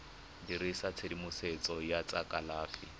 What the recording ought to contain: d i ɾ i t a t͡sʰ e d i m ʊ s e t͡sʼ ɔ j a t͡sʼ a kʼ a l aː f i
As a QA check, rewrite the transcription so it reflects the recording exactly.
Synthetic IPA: d i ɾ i s a t͡sʰ e d i m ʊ s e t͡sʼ ɔ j a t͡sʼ a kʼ a l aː f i

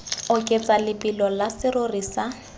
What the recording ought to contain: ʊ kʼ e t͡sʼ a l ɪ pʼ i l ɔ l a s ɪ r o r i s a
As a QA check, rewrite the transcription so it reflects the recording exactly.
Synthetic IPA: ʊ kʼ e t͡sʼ a l ɪ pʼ i l ɔ l a s ɪ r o r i s a

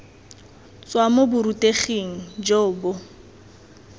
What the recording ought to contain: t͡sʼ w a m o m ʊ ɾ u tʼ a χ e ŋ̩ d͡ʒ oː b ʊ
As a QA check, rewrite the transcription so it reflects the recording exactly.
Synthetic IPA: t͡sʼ w a m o b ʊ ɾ u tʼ e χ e ŋ̩ d͡ʒ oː b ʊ

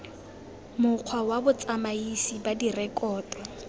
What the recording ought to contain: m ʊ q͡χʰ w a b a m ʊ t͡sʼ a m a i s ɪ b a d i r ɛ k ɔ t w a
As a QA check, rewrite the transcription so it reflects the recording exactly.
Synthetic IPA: m ʊ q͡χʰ w a w a b ʊ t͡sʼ a m a i s i b a d i r ɛ k ɔː t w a

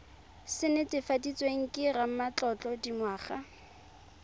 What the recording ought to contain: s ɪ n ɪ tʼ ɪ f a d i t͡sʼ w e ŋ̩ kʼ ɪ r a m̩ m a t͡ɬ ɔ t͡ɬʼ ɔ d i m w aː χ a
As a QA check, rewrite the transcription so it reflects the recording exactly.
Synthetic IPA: s ɪ n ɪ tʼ ɪ f a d i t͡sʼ w e ŋ̩ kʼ ɪ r a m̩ m a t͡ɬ ɔ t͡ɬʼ ɔ d i m w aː χ a

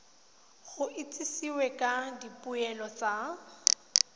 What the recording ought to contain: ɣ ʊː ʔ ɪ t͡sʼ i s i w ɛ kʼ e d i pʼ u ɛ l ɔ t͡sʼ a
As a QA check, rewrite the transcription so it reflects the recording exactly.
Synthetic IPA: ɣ ʊ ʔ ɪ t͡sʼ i s i w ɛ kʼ a d i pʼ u ɛ l ɔ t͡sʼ a

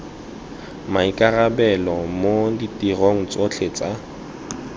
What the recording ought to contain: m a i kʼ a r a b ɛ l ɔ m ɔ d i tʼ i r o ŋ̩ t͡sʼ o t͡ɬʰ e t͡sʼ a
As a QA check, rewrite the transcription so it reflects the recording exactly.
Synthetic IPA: m a i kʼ a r a b ɛ l ɔ m o d i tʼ i r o ŋ̩ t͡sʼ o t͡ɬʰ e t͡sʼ a

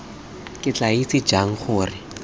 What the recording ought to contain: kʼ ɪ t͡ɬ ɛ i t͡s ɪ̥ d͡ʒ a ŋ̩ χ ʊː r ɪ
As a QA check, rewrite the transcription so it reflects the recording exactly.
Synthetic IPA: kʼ ɪ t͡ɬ a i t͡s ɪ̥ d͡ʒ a ŋ̩ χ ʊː r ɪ

